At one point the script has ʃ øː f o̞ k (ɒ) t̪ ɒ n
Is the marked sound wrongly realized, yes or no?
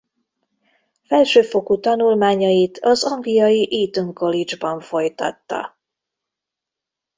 yes